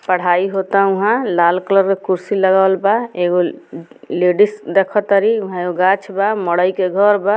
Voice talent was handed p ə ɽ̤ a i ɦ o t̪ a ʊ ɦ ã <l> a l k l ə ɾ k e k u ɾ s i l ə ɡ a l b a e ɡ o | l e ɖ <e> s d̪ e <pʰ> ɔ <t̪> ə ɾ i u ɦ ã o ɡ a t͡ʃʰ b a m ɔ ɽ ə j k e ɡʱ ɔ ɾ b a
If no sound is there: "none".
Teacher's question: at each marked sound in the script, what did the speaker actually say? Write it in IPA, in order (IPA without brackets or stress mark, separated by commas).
l, i, kʰ, t̪